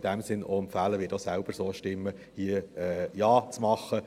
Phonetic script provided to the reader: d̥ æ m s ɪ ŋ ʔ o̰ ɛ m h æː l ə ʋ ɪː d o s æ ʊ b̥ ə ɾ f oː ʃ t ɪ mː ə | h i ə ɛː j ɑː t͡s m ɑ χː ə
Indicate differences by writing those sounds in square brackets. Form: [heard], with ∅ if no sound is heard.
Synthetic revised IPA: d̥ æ m s ɪ [n] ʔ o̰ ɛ m [f] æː l ə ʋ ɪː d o s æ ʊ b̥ ə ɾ [s] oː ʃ t ɪ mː ə | h i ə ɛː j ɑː t͡s m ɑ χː ə